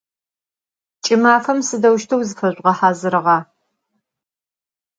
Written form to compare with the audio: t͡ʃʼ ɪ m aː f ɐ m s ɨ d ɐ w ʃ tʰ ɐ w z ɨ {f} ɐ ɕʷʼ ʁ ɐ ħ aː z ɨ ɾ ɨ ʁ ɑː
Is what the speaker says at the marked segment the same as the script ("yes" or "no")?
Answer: yes